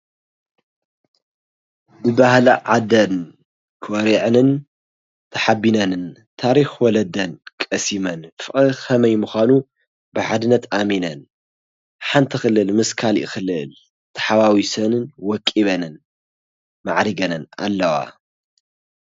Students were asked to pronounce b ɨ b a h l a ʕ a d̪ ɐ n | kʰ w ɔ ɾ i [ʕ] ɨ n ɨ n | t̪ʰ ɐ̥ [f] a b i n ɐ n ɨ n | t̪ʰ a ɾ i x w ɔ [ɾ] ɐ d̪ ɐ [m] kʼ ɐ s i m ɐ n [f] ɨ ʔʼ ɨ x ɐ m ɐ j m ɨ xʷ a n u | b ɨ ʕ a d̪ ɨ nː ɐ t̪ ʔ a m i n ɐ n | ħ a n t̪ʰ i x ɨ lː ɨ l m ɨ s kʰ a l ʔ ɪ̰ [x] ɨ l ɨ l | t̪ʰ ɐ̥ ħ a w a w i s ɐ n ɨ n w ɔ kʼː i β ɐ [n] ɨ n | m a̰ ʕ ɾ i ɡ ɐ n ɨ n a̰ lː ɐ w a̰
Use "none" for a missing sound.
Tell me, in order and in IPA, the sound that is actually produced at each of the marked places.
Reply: ʕ, ħ, l, n, f, x, n

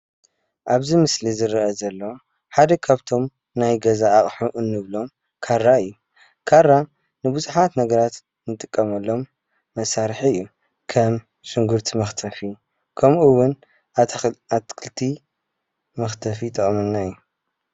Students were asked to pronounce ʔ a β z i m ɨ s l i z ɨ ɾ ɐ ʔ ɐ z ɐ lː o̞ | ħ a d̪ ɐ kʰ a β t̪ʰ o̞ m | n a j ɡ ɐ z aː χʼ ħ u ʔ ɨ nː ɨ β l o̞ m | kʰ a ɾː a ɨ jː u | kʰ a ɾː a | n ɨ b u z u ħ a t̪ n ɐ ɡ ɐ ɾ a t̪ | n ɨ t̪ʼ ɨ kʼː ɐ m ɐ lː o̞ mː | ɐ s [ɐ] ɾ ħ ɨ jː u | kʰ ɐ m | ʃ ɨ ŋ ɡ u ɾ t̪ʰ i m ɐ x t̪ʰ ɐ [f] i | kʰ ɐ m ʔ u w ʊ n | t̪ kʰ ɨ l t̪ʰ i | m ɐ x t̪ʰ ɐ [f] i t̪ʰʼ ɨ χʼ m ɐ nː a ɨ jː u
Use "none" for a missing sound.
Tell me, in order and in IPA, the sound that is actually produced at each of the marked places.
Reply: a, f, f

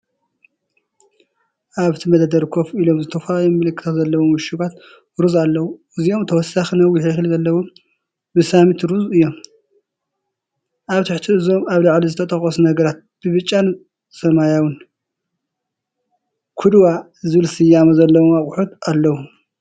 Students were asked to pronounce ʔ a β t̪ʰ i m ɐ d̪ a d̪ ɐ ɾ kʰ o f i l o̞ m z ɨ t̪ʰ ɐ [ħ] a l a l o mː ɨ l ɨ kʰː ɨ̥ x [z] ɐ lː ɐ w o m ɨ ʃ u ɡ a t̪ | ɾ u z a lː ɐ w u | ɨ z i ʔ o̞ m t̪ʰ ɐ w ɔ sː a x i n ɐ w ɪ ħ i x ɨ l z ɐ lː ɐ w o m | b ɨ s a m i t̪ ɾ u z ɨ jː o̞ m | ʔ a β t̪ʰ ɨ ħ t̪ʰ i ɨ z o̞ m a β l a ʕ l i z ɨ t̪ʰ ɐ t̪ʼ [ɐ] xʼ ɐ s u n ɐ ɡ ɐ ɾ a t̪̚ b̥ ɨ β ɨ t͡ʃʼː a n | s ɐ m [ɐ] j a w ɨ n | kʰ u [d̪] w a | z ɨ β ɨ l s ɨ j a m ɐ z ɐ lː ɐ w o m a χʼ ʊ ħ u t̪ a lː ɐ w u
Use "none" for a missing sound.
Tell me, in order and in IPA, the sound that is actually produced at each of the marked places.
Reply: f, z, ɐ, a, d̪

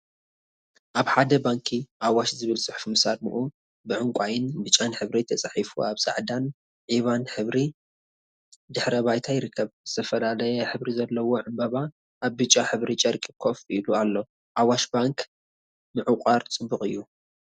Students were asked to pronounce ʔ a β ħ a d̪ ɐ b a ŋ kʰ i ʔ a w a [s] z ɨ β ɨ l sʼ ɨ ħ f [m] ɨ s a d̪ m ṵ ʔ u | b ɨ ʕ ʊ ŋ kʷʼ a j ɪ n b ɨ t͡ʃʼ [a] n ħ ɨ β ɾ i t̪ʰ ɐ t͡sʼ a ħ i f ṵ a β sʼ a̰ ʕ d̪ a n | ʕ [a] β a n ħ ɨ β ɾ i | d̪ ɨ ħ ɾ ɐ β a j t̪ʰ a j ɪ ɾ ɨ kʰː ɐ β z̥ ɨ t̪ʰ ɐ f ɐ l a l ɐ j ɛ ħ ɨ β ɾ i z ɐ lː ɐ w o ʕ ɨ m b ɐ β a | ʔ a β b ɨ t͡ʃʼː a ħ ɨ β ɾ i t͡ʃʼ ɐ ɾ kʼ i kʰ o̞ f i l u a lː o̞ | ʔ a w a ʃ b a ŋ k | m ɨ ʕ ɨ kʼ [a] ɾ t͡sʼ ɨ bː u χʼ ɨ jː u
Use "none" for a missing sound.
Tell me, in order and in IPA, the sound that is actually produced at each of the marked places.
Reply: ʃ, m, a, i, a

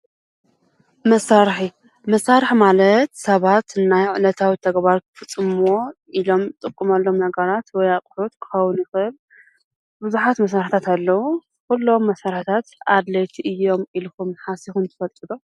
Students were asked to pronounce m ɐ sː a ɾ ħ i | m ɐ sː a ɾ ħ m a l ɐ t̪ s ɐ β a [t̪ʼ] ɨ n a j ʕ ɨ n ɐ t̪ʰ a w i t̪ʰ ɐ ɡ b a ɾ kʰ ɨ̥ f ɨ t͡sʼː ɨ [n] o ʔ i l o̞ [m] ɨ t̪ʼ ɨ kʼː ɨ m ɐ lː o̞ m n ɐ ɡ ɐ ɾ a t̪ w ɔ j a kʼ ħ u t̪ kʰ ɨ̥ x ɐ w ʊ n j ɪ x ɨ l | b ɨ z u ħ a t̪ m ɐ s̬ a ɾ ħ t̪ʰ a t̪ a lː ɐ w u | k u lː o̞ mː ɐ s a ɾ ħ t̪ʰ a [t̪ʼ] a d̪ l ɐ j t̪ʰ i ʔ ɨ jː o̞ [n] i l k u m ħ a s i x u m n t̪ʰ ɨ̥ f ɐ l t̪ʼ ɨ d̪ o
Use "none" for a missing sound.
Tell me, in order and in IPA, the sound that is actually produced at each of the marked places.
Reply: t̪, m, m, t̪, m

